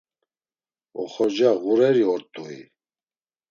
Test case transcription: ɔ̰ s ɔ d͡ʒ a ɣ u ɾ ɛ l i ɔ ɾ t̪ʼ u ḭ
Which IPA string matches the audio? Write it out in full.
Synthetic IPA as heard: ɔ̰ χ ɔ d͡ʒ a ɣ u ɾ ɛ ɾ i ɔ ɾ t̪ʼ u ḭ